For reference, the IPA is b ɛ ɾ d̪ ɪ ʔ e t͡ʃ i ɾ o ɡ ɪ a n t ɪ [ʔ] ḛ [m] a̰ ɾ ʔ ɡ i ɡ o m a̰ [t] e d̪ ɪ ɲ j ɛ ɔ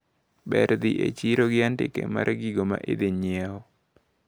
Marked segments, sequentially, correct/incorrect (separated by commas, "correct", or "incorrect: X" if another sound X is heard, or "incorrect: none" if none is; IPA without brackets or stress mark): incorrect: k, correct, incorrect: ʔ